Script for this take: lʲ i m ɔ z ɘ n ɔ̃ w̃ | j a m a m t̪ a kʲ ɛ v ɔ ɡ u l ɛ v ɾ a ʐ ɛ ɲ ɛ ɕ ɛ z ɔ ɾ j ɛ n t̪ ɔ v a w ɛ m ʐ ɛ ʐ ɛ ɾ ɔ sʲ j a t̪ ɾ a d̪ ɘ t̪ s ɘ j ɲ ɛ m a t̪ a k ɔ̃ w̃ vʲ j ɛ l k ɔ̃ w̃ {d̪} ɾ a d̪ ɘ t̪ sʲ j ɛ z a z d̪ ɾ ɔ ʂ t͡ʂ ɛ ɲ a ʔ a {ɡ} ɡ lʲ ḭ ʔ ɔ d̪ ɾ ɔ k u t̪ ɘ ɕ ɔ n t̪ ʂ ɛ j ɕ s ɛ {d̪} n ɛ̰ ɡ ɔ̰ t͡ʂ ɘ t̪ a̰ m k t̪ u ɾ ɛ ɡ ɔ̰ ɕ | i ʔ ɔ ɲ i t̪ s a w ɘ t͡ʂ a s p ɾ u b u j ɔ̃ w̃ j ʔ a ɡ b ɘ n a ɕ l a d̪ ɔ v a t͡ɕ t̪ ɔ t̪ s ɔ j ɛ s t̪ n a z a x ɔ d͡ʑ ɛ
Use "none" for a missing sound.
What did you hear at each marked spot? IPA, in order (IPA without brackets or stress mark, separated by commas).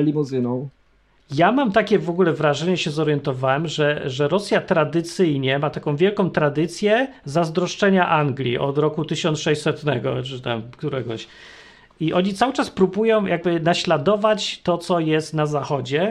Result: t̪, ŋ, t̪